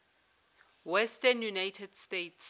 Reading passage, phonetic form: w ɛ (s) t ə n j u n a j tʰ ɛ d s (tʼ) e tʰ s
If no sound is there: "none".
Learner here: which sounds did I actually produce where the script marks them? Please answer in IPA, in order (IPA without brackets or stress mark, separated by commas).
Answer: s, t